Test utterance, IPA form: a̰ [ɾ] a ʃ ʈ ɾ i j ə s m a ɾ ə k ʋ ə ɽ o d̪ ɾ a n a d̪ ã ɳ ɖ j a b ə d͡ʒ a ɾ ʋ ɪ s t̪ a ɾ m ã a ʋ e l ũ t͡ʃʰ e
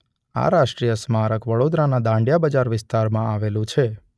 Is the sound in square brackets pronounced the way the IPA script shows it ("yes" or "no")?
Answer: yes